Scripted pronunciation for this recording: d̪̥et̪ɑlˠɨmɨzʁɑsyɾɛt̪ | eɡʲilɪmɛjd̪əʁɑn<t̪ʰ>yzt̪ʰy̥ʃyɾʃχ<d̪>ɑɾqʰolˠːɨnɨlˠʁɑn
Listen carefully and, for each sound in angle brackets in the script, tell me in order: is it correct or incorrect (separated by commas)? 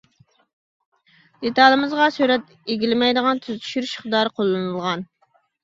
correct, correct